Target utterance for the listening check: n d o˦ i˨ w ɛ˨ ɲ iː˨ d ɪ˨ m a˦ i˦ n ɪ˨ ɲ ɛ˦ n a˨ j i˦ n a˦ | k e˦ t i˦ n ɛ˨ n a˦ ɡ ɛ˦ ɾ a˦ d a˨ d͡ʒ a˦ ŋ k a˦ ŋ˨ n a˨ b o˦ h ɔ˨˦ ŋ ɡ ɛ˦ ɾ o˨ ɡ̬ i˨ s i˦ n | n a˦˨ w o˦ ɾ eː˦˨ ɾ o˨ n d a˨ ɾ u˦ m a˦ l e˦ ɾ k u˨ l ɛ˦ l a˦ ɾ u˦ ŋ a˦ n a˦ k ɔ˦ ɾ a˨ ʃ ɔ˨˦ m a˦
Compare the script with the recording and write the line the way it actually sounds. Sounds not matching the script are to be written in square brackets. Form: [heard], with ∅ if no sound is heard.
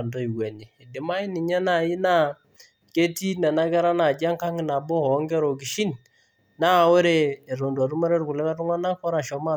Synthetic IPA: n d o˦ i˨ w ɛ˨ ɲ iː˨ d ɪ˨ m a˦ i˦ n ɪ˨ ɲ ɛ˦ n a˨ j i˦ n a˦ | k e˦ t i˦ n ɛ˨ n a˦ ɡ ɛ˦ ɾ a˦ [n] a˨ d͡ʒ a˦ ŋ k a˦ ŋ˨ n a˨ b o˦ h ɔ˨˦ ŋ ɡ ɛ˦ ɾ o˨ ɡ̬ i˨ [ʃ] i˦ n | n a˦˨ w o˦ ɾ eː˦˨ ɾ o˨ n d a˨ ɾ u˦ m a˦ [ɾ] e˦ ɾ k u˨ l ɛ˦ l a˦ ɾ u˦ ŋ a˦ n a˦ k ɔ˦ ɾ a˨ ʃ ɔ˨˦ m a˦